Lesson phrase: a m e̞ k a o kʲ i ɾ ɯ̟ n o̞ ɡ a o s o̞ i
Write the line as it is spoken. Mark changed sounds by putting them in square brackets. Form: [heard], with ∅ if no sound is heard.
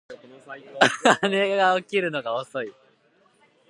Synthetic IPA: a [n] e̞ [ɡ] a o kʲ i ɾ ɯ̟ n o̞ ɡ a o s o̞ i